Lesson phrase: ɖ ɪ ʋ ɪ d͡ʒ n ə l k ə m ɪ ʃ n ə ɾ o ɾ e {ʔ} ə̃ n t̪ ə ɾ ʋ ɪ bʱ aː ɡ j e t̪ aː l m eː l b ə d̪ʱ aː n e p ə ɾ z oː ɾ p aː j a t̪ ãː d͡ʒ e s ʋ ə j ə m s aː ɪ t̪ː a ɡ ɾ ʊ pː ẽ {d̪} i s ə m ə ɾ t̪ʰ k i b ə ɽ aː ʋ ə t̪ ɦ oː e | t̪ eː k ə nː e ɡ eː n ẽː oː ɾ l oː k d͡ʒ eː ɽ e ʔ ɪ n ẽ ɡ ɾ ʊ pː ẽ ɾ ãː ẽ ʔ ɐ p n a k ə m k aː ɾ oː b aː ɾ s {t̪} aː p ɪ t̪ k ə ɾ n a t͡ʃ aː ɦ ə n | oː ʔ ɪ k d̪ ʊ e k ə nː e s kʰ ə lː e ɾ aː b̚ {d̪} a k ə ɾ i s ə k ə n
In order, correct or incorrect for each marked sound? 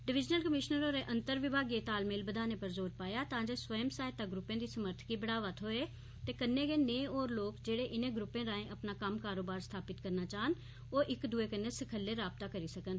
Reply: correct, correct, incorrect: t̪ʰ, incorrect: t̪

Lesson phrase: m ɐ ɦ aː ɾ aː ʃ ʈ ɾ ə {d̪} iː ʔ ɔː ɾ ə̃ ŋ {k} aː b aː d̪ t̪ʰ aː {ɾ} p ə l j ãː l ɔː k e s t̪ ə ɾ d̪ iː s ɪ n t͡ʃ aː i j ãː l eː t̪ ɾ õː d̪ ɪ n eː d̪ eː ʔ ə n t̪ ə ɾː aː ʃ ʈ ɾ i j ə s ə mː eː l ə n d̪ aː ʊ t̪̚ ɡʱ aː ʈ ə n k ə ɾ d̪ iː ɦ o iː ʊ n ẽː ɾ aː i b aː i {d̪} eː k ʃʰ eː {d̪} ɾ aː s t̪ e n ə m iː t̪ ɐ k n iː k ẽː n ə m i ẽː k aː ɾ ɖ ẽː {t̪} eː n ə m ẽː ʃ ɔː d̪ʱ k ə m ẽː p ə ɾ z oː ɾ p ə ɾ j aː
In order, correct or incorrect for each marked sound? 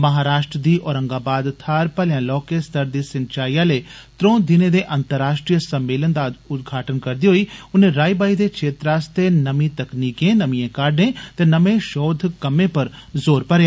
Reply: correct, incorrect: ɡ, correct, correct, incorrect: t̪, correct

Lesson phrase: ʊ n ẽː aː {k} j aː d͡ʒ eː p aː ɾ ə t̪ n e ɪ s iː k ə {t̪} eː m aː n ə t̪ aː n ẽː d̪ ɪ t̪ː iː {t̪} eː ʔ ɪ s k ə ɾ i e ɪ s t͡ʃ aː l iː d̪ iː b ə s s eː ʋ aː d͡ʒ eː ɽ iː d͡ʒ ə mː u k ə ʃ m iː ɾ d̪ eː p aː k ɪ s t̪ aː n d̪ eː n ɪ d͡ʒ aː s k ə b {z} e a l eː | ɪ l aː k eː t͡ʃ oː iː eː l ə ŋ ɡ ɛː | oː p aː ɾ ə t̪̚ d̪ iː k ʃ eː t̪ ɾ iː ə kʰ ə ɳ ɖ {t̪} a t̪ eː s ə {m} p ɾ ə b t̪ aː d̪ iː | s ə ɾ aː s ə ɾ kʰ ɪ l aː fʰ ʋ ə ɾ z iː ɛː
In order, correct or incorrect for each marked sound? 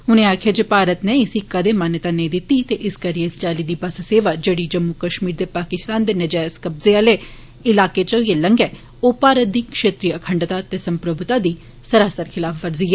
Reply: incorrect: kʰ, incorrect: d̪, correct, correct, correct, correct

